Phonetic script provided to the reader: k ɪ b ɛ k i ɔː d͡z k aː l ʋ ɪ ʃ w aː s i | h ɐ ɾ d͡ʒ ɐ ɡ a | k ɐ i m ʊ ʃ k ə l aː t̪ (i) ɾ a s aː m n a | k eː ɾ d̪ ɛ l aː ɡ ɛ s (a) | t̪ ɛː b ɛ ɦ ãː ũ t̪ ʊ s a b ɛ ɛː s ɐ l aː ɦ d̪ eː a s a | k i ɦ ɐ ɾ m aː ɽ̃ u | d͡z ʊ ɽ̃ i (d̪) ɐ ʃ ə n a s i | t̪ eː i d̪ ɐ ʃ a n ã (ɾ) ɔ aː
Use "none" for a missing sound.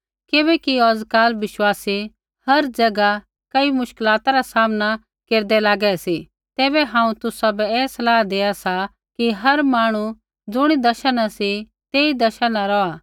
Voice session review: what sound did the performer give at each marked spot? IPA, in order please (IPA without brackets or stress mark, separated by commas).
a, i, d̪, ɾ